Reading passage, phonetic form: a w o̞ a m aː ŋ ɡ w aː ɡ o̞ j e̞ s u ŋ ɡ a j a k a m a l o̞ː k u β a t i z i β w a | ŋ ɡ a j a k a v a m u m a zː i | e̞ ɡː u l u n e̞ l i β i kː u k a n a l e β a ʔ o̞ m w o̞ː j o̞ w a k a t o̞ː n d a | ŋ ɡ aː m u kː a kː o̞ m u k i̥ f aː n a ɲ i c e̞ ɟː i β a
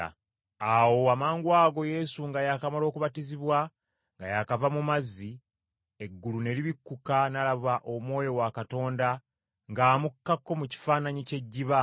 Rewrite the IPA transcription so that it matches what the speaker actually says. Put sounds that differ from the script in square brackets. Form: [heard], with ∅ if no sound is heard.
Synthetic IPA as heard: a w o̞ a m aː ŋ ɡ w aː ɡ o̞ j e̞ s u ŋ ɡ a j a k a m a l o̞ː k u β a t i z i β w a | ŋ ɡ a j a k a v a m u m a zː i | e̞ ɡː u l u n e̞ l i β i kː u k a n a l [a] β a ʔ o̞ m w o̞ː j o̞ w a k a t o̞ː n d a | ŋ ɡ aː m u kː a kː o̞ m u [c] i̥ f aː n a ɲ i c e̞ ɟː i β a